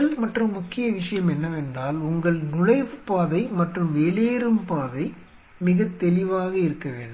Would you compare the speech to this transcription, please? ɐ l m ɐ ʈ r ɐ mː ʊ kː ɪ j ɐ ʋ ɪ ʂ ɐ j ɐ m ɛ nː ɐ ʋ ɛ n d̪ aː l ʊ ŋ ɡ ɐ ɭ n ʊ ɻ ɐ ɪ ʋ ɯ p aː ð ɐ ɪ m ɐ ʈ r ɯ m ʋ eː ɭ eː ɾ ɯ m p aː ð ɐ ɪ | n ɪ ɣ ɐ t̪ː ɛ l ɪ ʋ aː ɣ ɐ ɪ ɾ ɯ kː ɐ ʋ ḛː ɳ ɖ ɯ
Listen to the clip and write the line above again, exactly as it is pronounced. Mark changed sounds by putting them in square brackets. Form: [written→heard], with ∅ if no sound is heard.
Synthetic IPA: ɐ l m ɐ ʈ r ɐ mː ʊ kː ɪ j ɐ ʋ ɪ ʂ ɐ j ɐ m ɛ nː ɐ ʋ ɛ n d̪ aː l ʊ ŋ ɡ ɐ ɭ n ʊ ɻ ɐ ɪ ʋ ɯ p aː ð ɐ ɪ m ɐ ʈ r ɯ m ʋ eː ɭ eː ɾ ɯ m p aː ð ɐ ɪ | [n→m] ɪ ɣ ɐ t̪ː ɛ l ɪ ʋ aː ɣ ɐ ɪ ɾ ɯ kː ɐ ʋ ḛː ɳ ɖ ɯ